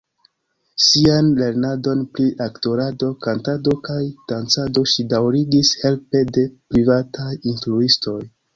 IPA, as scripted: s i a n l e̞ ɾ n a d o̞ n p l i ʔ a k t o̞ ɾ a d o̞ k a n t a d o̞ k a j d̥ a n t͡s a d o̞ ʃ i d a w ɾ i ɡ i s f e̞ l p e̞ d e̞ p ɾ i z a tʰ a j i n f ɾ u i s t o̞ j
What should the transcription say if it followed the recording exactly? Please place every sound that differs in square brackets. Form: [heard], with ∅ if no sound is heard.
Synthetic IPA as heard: s i a n l e̞ ɾ n a d o̞ n p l i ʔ a k t o̞ ɾ a d o̞ k a n t a d o̞ k a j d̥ a n t͡s a d o̞ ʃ i d a w ɾ i ɡ i s [h] e̞ l p e̞ d e̞ p ɾ i [v] a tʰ a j i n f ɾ u i s t o̞ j